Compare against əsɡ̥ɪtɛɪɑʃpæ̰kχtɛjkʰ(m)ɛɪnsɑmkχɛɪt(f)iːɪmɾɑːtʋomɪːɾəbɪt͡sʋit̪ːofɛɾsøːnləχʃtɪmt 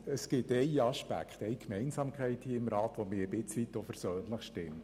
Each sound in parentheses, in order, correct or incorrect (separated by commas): correct, incorrect